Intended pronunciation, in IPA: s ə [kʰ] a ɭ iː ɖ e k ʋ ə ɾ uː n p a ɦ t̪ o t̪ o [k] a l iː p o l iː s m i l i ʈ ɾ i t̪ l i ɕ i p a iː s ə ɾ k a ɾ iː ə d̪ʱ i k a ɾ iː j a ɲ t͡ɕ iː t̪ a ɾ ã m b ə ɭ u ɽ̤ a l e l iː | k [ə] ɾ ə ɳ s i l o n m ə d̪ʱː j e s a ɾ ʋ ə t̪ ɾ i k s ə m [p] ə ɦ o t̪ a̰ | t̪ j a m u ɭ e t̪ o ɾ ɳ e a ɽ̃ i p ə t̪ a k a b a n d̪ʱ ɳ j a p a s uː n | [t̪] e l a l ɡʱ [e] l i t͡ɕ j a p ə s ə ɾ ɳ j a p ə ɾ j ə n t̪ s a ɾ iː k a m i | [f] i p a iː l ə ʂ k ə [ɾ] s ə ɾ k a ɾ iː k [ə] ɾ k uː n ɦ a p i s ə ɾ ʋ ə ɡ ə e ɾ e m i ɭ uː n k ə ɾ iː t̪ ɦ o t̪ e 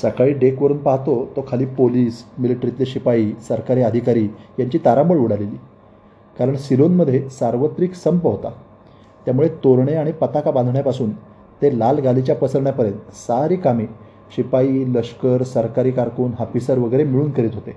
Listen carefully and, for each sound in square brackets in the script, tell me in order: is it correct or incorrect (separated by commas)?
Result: incorrect, incorrect, incorrect, correct, correct, incorrect, incorrect, correct, incorrect